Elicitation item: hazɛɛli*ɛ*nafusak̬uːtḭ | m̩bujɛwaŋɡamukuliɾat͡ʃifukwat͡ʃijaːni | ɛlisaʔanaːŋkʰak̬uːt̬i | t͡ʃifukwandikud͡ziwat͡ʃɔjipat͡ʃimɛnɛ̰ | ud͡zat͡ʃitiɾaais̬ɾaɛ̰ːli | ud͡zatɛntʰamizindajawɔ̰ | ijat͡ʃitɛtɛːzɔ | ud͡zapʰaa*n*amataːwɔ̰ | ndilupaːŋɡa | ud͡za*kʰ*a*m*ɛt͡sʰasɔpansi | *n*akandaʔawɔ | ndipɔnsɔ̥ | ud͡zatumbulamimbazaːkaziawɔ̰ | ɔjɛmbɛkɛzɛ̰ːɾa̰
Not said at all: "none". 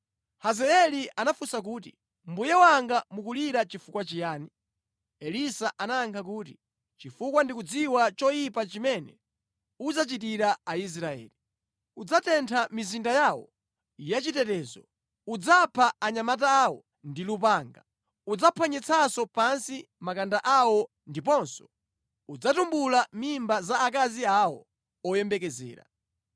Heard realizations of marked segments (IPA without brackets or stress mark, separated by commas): a, ɲ, pʰ, ɲ, m